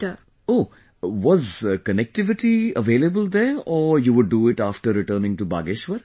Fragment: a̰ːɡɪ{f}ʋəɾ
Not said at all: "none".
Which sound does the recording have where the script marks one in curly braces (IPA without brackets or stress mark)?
ʃ